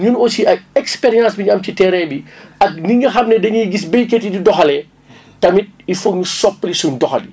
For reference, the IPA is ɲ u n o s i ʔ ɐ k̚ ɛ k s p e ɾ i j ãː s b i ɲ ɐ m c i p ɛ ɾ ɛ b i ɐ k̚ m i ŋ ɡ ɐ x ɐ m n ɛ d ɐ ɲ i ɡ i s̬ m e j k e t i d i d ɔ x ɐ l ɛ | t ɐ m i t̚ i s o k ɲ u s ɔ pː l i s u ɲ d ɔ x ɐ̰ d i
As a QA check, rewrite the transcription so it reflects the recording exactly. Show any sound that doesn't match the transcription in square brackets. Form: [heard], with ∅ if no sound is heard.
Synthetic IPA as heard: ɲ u n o s i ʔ ɐ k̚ ɛ k s p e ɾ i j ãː s b i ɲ ɐ m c i [t] ɛ ɾ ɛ b i ɐ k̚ [n] i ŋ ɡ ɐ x ɐ m n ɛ d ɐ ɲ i ɡ i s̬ [b] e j k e t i d i d ɔ x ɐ l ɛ | t ɐ m i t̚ i [f] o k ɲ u s ɔ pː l i s u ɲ d ɔ x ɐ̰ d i